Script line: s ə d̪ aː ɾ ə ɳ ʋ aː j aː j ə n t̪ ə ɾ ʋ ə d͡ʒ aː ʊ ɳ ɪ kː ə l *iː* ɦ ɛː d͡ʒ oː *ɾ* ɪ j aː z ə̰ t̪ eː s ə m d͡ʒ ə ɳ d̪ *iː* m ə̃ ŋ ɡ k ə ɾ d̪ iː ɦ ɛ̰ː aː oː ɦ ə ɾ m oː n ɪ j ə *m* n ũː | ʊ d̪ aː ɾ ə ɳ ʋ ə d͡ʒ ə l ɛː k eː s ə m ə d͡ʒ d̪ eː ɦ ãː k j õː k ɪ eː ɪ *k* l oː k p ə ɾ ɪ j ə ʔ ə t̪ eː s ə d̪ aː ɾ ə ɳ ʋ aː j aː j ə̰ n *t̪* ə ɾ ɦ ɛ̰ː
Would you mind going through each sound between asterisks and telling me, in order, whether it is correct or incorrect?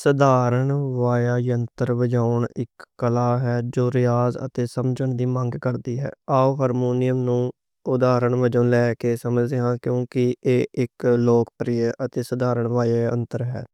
incorrect, correct, correct, correct, correct, correct

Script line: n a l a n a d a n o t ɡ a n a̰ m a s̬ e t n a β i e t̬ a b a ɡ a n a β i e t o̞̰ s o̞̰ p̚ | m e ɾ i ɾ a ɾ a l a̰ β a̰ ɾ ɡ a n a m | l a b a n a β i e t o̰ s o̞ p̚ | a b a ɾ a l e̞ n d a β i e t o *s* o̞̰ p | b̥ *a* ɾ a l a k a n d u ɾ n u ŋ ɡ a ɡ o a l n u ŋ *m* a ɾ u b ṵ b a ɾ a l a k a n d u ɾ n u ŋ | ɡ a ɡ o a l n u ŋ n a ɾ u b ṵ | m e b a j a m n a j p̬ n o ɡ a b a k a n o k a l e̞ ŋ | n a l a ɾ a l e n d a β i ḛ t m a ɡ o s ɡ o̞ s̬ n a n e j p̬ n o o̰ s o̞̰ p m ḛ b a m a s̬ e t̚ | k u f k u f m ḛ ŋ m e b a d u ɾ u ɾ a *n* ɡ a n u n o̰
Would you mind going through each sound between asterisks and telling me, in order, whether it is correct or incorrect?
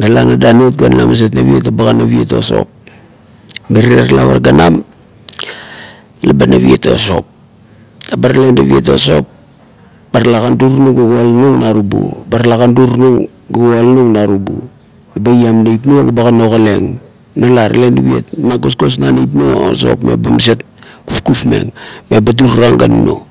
correct, correct, incorrect, incorrect

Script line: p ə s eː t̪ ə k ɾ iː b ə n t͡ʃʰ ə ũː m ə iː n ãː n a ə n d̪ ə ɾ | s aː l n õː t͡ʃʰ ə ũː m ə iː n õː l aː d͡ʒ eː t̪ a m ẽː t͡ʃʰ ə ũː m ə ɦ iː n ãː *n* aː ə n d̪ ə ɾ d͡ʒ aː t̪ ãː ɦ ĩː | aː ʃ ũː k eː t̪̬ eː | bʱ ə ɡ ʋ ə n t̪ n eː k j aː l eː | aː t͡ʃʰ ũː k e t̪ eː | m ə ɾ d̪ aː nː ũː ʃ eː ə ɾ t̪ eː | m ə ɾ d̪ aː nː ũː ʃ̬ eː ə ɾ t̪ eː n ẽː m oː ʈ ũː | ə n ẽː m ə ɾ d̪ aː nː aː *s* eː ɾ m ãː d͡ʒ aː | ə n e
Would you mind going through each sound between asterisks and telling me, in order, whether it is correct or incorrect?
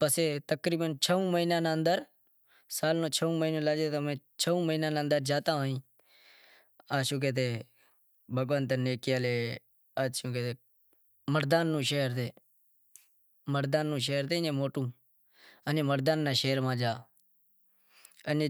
correct, incorrect

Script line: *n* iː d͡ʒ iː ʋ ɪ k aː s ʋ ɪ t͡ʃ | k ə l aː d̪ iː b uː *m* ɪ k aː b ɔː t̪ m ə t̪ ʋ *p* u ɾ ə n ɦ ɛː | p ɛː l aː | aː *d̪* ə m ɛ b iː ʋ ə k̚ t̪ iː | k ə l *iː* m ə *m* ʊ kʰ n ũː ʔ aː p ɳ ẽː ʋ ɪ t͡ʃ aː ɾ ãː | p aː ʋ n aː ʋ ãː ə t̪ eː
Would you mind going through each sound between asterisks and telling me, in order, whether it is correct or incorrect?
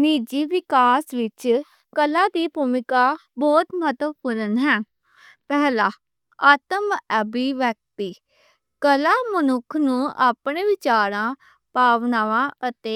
correct, correct, correct, incorrect, incorrect, incorrect

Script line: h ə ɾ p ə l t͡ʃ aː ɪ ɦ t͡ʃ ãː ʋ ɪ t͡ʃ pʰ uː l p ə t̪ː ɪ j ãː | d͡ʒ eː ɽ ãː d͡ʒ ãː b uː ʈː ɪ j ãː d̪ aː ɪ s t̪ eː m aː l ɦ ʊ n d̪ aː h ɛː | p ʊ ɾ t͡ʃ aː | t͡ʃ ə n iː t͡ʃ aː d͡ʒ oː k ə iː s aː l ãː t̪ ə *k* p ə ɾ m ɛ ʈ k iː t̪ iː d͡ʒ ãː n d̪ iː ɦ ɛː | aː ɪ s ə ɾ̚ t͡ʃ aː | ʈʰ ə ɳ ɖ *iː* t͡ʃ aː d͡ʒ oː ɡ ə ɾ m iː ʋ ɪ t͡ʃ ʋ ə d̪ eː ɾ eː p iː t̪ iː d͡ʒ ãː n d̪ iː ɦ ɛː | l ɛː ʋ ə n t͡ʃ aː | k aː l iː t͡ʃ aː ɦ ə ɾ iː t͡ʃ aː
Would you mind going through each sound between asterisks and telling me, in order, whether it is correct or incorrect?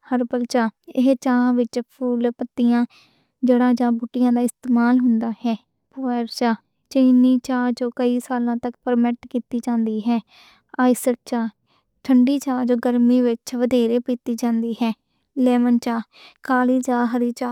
correct, correct

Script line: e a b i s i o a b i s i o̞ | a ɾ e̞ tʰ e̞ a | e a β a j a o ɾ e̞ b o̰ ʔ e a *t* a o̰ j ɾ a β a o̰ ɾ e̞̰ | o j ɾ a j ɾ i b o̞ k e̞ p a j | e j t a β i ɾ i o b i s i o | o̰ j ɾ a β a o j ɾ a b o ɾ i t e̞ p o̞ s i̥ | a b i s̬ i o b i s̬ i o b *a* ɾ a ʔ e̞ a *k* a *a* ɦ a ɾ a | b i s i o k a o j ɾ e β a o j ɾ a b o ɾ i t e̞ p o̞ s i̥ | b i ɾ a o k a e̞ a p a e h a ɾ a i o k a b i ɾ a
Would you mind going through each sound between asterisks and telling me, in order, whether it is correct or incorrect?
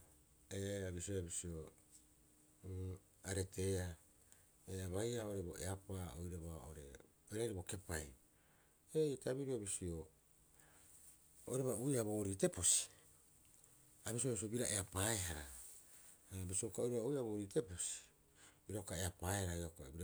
incorrect, incorrect, incorrect, incorrect

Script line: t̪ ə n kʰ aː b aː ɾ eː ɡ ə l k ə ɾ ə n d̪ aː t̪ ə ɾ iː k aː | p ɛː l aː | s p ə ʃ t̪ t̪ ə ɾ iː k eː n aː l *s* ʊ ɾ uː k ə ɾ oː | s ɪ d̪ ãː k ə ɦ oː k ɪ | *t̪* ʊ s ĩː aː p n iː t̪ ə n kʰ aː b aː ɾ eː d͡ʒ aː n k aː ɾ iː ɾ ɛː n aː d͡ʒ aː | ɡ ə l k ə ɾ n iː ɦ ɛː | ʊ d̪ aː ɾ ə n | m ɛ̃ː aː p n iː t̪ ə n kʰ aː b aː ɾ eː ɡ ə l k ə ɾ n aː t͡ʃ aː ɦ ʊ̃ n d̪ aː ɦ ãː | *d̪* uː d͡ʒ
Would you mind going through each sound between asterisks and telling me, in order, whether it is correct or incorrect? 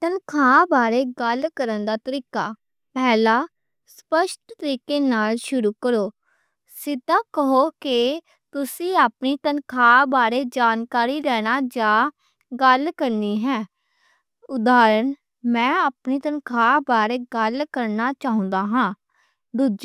incorrect, correct, correct

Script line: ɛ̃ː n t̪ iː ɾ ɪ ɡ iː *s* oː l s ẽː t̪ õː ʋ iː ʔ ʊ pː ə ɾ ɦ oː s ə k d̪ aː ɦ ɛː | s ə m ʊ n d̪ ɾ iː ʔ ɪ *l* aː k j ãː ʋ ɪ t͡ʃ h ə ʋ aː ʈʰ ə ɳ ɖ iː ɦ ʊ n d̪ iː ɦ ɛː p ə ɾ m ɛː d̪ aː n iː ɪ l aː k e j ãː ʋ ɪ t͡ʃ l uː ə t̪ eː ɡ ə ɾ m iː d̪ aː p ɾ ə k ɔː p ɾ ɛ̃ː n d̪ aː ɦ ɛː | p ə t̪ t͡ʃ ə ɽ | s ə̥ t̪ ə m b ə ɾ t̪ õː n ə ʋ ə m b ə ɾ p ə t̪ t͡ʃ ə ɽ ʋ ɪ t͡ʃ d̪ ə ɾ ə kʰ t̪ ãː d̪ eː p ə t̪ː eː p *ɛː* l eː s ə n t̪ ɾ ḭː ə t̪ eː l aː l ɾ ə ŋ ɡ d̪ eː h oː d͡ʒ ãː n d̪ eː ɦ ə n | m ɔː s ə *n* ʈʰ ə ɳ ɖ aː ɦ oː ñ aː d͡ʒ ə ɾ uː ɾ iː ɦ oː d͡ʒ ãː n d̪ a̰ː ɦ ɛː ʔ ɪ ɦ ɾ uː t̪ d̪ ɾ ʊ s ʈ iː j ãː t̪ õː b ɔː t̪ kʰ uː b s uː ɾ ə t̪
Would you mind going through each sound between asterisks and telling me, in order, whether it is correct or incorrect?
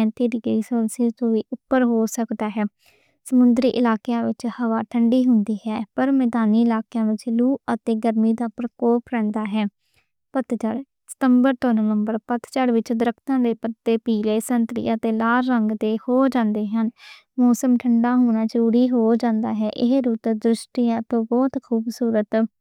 correct, correct, incorrect, incorrect

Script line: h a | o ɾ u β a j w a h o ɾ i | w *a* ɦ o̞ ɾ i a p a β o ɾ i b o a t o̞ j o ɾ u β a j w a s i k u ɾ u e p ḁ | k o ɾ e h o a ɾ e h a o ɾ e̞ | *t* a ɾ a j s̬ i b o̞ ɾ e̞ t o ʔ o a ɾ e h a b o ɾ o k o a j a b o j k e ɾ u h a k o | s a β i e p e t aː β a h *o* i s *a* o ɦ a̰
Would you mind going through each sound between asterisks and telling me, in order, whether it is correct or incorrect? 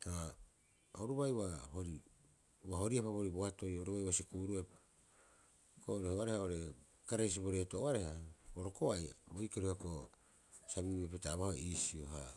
correct, incorrect, correct, incorrect

